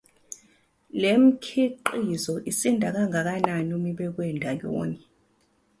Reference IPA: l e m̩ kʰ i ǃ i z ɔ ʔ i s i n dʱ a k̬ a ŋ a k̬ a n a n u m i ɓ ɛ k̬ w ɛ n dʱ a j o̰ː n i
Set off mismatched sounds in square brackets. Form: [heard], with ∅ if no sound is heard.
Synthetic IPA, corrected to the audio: l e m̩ kʰ i ǃ i z ɔ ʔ i s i n dʱ a k̬ a ŋ a k̬ a n a n u m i ɓ ɛ k̬ w ɛ n dʱ a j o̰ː n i